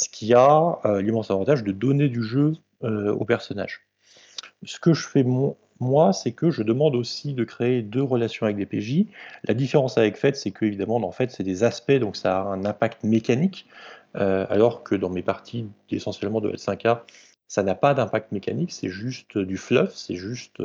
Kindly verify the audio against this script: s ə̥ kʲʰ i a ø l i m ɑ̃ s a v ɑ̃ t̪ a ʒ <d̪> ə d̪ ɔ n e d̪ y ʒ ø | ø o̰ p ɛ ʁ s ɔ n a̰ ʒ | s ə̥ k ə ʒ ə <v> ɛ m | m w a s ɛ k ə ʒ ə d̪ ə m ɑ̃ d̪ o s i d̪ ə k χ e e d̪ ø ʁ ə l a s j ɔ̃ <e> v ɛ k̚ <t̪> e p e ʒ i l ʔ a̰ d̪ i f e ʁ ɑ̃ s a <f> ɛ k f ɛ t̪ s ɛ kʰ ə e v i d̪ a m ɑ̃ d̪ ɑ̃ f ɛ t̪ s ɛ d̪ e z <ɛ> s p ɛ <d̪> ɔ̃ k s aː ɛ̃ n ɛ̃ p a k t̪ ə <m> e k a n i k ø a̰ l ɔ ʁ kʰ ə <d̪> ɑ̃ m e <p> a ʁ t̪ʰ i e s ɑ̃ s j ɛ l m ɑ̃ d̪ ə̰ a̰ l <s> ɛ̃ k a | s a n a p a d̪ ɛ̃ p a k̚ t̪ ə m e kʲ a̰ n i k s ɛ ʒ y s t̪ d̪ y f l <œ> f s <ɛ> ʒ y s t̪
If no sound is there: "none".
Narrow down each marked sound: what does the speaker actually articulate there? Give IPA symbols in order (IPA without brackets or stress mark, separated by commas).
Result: d̪, f, a, d̪, v, a, d̪, m, d̪, p, s, œ, ɛ